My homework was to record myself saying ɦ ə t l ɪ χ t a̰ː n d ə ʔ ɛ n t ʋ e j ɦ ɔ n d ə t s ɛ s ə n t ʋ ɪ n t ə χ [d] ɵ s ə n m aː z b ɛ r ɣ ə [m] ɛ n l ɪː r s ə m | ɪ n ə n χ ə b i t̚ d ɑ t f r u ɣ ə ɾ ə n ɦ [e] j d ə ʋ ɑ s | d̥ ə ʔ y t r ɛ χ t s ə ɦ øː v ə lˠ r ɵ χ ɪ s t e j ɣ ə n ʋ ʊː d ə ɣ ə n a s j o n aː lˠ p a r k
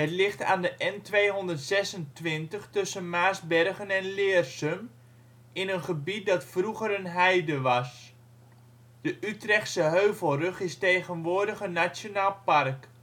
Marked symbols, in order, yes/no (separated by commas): no, no, no